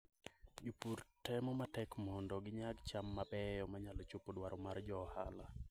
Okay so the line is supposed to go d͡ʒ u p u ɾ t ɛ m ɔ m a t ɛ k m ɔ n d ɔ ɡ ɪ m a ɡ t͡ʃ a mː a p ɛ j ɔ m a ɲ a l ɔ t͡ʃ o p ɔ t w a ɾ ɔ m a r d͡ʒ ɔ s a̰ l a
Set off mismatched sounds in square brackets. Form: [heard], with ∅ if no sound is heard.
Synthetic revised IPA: d͡ʒ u p u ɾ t ɛ m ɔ m a t ɛ k m ɔ n d ɔ ɡ ɪ [ɲ] a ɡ t͡ʃ a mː a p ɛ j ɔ m a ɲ a l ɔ t͡ʃ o p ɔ [d] w a ɾ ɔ m a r d͡ʒ ɔ [h] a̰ l a